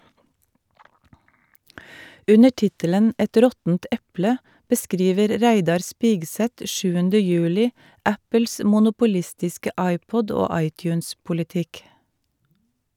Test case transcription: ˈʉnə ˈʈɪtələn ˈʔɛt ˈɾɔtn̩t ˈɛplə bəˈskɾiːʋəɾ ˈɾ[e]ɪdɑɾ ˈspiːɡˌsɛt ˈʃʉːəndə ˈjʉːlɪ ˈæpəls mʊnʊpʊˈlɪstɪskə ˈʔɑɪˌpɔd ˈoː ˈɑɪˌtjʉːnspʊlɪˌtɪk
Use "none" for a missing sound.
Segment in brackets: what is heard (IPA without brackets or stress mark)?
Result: æ